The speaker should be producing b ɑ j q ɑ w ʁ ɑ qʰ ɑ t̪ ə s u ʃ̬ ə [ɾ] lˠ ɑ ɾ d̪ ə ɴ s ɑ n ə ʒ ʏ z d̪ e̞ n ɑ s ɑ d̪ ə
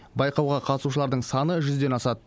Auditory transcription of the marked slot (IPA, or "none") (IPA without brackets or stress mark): none